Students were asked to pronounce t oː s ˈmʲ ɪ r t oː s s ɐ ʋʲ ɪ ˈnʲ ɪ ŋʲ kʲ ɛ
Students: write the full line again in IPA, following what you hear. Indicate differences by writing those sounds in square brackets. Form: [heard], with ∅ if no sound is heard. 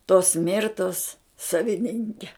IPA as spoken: t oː s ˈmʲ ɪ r t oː s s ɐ ʋʲ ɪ ˈnʲ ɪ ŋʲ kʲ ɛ

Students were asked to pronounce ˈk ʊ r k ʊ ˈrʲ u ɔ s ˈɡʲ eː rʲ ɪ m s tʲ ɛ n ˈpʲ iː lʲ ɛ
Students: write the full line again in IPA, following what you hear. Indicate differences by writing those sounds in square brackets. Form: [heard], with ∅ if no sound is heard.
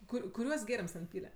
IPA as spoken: ˈk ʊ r k ʊ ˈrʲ u ɔ s ˈɡʲ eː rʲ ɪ m s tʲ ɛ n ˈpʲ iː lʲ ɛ

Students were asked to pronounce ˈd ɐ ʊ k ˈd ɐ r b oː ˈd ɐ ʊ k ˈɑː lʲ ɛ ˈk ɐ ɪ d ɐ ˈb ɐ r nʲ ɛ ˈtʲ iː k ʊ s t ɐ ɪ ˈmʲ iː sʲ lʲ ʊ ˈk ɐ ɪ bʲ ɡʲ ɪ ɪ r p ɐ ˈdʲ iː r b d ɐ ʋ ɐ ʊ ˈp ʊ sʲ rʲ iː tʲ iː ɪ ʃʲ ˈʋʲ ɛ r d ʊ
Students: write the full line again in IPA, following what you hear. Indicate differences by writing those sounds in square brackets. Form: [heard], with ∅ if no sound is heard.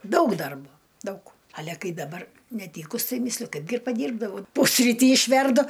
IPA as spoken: ˈd ɐ ʊ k ˈd ɐ r b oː ˈd ɐ ʊ k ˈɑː lʲ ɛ ˈk ɐ ɪ d ɐ ˈb ɐ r nʲ ɛ ˈtʲ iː k ʊ s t ɐ ɪ ˈmʲ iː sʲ lʲ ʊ ˈk ɐ ɪ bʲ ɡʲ ɪ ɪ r p ɐ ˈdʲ iː r b d ɐ ʋ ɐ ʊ ˈp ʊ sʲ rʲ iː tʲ iː ɪ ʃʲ ˈʋʲ ɛ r d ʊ

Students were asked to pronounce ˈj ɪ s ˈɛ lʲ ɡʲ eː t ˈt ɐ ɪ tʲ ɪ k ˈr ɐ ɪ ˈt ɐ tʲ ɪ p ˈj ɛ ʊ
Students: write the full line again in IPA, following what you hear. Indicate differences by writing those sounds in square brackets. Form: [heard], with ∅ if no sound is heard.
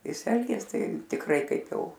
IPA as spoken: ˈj ɪ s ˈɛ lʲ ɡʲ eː [s] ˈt ɐ ɪ tʲ ɪ k ˈr ɐ ɪ [ˈk] ɐ [∅] ɪ p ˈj ɛ ʊ

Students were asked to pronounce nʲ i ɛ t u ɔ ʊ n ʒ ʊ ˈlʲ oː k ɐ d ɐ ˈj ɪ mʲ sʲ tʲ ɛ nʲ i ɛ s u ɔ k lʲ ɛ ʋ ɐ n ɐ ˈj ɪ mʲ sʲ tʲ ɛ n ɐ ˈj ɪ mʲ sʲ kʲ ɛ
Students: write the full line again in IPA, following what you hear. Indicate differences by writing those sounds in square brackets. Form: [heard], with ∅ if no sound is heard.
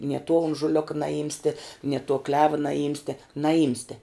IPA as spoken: nʲ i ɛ t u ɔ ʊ n ʒ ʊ ˈlʲ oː k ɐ [n] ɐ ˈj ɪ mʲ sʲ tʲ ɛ nʲ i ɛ [t] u ɔ k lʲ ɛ ʋ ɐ n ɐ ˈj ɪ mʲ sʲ tʲ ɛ n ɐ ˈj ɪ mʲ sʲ [tʲ] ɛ

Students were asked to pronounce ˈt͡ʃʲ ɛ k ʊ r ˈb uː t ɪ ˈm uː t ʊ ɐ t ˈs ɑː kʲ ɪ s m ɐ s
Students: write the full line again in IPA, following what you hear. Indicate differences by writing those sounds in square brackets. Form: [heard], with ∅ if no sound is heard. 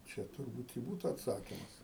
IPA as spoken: ˈt͡ʃʲ ɛ [t] ʊ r ˈb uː t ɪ [ˈb] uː t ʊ ɐ t ˈs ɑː kʲ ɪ [∅] m ɐ s

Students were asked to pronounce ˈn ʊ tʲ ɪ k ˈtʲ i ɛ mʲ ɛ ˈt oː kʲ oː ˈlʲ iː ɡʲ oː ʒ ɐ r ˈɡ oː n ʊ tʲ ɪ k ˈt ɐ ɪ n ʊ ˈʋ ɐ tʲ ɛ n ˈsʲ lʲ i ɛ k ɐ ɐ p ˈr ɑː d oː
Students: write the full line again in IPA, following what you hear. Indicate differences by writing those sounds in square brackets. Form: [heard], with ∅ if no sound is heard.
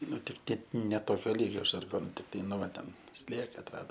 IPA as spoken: ˈn ʊ tʲ ɪ k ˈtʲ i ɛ [nʲ] ɛ ˈt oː kʲ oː ˈlʲ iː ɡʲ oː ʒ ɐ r ˈɡ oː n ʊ tʲ ɪ k ˈt ɐ ɪ n ʊ ˈʋ ɐ tʲ ɛ n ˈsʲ lʲ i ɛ k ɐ ɐ [t] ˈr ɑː d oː

